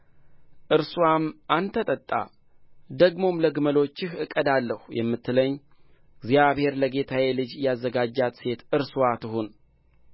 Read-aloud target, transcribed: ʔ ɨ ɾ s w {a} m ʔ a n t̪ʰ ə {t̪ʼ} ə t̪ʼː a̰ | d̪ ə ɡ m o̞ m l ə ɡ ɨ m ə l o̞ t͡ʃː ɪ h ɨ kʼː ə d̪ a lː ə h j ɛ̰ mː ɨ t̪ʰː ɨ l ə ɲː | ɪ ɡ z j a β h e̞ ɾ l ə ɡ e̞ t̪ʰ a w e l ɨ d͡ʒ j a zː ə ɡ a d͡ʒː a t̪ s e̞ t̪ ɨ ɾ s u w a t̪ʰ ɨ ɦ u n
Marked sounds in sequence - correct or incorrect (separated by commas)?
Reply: correct, correct